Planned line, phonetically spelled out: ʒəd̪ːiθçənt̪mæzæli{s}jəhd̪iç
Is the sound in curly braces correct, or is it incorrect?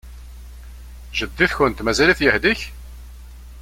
incorrect